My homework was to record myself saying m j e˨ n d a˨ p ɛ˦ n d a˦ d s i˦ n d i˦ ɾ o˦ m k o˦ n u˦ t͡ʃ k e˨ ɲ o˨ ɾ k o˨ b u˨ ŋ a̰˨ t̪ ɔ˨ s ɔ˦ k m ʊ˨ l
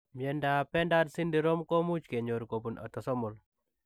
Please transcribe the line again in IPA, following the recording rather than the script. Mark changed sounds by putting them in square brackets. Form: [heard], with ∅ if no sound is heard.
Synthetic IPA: m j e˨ n d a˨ p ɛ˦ n d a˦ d s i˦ n d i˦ ɾ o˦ m k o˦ [m] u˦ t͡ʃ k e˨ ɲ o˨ ɾ k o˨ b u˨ [n] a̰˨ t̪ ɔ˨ s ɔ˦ [∅] m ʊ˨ l

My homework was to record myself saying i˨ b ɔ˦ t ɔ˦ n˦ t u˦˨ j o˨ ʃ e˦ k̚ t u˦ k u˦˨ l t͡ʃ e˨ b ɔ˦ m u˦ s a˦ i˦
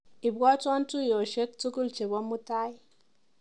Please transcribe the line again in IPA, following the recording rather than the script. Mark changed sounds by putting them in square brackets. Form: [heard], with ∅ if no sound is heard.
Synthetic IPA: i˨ b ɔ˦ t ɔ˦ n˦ t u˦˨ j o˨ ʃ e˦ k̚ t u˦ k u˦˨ l t͡ʃ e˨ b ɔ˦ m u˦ [t] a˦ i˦

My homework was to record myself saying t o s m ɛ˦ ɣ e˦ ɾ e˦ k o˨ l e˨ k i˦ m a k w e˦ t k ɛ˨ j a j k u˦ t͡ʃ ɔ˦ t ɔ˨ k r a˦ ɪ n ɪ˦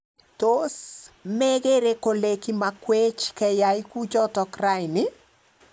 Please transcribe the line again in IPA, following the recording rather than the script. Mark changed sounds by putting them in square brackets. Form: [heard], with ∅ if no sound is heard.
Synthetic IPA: t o s m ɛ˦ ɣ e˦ ɾ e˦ k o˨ l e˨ k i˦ m a k w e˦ [t͡ʃ] k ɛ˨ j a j k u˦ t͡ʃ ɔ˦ t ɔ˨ k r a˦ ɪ n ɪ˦

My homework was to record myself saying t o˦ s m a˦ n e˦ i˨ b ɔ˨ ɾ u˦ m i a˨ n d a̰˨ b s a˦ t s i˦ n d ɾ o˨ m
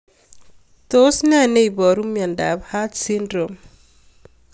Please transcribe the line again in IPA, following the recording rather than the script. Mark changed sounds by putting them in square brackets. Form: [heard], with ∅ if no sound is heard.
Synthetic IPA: t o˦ s [n] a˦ n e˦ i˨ b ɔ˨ ɾ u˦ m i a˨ n d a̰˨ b [h] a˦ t s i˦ n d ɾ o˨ m

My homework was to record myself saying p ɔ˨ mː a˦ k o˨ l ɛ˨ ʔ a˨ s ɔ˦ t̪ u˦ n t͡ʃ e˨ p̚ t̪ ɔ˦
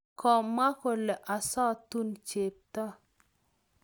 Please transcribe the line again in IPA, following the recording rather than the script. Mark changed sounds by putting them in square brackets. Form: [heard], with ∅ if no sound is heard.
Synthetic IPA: [k] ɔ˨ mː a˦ k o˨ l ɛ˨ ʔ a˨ s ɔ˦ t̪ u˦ n t͡ʃ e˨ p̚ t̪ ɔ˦

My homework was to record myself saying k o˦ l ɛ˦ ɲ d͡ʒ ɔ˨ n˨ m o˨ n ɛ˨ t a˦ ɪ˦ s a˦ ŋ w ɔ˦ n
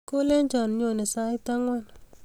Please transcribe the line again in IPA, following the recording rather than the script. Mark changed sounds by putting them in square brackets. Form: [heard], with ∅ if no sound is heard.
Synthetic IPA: k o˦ l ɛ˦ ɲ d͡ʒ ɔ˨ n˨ [ɲ] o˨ n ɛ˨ [s] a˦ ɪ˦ [t] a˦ ŋ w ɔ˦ n

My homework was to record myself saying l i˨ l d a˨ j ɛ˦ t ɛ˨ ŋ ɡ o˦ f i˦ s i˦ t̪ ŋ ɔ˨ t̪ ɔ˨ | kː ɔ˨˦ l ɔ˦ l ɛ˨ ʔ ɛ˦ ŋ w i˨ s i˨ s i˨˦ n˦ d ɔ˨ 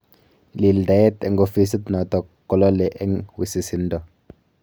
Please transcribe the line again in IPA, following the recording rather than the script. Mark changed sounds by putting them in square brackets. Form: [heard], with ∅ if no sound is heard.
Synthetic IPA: l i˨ l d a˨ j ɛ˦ t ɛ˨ ŋ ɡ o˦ f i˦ s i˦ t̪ [n] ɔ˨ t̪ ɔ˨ | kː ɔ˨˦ l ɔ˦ l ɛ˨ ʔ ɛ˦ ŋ w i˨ s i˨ s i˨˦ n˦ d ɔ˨

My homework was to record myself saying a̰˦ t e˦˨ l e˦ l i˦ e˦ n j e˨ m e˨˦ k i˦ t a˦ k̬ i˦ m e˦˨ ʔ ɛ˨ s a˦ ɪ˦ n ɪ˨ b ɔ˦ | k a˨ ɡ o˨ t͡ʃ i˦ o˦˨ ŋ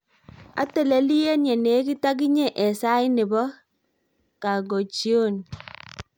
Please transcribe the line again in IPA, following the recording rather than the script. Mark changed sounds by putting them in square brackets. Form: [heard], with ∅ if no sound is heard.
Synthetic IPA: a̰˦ t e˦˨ l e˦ l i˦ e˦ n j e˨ [n] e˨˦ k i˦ t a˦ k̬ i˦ [ɲ] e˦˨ ʔ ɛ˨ s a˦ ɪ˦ n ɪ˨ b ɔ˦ | k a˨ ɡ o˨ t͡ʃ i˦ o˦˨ [n]

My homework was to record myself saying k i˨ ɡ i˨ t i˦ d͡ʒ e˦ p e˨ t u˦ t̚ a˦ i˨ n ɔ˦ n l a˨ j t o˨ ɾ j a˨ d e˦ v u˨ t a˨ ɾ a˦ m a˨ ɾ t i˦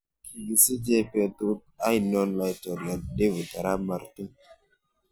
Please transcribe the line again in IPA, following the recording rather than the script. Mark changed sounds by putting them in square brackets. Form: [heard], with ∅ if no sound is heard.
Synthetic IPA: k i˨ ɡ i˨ [s] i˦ d͡ʒ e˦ p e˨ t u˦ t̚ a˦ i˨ n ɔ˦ n l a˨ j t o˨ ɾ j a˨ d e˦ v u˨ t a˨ ɾ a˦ m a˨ ɾ t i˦

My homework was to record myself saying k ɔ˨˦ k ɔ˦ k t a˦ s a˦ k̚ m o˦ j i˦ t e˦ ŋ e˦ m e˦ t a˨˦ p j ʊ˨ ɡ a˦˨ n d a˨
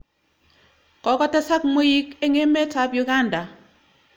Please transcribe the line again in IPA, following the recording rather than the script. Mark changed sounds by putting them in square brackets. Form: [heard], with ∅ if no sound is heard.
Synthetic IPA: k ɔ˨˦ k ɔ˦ [∅] t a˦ s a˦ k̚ m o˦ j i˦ [k] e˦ ŋ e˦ m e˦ t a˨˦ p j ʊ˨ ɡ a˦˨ n d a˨

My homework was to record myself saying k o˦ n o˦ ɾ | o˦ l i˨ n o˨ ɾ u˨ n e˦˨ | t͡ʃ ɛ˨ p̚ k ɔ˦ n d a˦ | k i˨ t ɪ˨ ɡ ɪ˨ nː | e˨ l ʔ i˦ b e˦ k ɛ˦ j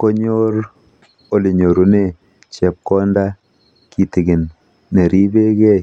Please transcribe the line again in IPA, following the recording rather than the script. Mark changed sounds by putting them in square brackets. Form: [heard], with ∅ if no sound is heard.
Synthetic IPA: k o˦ [ɲ] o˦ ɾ | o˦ l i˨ [ɲ] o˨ ɾ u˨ n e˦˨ | t͡ʃ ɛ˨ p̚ k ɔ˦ n d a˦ | k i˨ t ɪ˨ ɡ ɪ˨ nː | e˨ [ɾ] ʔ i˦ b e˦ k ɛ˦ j

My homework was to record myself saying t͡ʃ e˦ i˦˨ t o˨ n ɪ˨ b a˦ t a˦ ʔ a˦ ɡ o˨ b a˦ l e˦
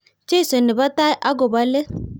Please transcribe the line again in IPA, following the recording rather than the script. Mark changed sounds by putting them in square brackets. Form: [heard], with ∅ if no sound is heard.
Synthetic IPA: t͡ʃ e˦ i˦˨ [s] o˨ n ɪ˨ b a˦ t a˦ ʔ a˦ ɡ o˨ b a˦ l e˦

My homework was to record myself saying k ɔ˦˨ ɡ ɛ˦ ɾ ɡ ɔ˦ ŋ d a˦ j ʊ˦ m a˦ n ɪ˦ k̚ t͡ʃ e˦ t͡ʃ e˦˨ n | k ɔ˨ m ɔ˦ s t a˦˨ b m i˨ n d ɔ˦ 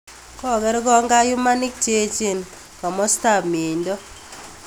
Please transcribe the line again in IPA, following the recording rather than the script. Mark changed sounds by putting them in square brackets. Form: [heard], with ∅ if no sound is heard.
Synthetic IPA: k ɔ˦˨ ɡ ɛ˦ ɾ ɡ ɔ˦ ŋ [ɡ] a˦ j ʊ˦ m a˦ n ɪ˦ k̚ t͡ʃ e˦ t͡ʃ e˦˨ n | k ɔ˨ m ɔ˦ s t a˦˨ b m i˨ n d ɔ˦

